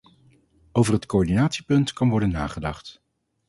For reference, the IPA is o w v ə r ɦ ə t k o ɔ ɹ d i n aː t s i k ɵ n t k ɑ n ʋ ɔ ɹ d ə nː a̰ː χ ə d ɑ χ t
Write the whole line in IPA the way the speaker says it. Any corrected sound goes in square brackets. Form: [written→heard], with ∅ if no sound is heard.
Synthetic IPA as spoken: o w v ə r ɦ ə t k o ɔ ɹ d i n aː t s i [k→p] ɵ n t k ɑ n ʋ ɔ ɹ d ə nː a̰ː χ ə d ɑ χ t